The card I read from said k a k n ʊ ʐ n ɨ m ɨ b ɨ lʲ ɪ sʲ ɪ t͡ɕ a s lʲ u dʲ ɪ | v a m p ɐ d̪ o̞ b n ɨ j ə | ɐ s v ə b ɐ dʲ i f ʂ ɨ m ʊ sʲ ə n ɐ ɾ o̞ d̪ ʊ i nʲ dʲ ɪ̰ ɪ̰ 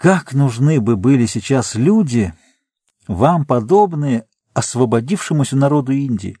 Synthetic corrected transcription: k a k n ʊ ʐ n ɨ b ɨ b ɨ lʲ ɪ sʲ ɪ t͡ɕ a s lʲ u dʲ ɪ | v a m p ɐ d̪ o̞ b n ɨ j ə | ɐ s v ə b ɐ dʲ i f ʂ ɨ m ʊ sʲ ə n ɐ ɾ o̞ d̪ ʊ i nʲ dʲ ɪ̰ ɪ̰